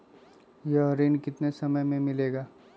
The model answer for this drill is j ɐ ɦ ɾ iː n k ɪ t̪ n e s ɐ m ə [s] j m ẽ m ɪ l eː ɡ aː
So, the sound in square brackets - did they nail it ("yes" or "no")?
no